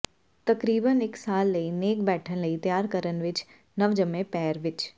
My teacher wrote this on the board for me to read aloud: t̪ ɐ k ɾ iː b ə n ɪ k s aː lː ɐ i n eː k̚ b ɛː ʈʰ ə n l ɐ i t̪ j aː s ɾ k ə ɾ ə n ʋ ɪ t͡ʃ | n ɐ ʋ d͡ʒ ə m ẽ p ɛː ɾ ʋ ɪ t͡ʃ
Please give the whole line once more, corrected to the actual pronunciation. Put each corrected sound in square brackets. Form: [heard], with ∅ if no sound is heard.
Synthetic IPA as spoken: t̪ ɐ k ɾ iː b ə n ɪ k s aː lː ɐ i n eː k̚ b ɛː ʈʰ ə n l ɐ i t̪ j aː [∅] ɾ k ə ɾ ə n ʋ ɪ t͡ʃ | n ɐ ʋ d͡ʒ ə m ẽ p ɛː ɾ ʋ ɪ t͡ʃ